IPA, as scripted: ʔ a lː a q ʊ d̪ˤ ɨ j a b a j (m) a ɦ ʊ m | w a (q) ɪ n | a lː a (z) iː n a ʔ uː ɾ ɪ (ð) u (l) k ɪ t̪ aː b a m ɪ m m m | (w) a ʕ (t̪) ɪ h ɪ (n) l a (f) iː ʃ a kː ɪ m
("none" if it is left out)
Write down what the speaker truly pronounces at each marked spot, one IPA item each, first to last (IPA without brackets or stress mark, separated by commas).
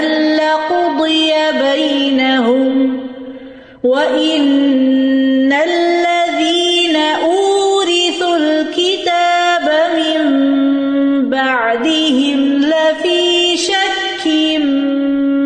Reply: n, ʔ, ð, θ, l, b, d̪, m, f